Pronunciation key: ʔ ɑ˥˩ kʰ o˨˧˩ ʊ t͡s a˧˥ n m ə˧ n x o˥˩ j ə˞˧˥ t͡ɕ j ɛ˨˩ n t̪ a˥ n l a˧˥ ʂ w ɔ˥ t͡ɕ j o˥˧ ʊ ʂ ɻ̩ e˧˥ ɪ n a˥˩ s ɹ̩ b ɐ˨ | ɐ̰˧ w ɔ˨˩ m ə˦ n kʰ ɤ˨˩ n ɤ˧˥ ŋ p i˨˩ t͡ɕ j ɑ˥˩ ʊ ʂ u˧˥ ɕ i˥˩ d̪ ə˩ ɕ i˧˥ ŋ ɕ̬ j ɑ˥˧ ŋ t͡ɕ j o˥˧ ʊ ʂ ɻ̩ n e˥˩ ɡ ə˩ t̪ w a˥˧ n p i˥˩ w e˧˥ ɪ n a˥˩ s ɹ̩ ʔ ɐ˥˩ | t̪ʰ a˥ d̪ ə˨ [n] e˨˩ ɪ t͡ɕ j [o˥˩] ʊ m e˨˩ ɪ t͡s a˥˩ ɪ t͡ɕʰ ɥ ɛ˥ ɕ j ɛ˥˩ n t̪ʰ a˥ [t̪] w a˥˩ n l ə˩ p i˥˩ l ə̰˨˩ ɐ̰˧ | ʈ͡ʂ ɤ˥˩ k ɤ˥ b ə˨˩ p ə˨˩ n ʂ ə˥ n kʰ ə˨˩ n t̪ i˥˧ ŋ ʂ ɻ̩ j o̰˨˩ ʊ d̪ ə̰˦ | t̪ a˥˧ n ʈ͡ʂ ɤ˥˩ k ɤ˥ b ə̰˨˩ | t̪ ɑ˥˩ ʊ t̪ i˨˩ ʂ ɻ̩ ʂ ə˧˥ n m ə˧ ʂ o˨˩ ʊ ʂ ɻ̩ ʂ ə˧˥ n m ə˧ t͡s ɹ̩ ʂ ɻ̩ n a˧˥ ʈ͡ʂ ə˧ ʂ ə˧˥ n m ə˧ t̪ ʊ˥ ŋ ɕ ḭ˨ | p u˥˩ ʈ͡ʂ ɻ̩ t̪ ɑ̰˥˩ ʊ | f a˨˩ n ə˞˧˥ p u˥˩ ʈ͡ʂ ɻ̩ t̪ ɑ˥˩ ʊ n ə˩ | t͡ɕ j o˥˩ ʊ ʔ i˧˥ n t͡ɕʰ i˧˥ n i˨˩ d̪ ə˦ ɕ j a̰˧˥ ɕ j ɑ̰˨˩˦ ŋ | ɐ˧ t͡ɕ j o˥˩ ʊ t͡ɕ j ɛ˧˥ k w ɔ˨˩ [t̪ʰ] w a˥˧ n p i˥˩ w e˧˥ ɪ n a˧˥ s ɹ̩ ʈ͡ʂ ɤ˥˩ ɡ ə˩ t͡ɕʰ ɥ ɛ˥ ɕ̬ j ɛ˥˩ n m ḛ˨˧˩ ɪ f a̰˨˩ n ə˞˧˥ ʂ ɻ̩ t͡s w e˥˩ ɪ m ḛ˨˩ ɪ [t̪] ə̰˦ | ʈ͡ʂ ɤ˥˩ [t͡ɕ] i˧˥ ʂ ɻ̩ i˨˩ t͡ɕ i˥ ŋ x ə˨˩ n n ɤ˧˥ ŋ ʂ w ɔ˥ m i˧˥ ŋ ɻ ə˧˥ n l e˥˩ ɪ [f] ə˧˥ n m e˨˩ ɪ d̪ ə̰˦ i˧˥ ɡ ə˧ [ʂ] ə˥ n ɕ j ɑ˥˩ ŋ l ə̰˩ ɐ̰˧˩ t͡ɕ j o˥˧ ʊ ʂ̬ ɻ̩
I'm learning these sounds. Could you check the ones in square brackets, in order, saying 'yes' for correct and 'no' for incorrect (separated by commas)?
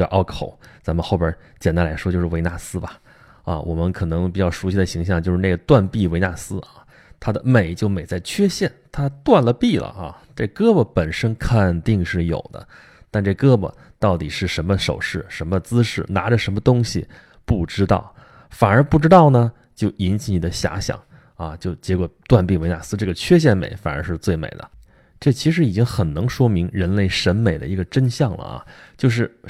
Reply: no, yes, yes, no, no, no, no, no